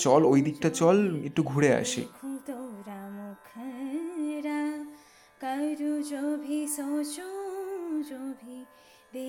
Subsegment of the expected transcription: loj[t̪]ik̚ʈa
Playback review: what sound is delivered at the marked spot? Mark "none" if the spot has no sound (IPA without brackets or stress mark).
d̪